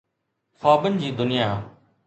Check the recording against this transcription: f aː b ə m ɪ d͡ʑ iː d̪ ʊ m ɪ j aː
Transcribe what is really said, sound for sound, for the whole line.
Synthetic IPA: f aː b ə n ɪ d͡ʑ iː d̪ ʊ n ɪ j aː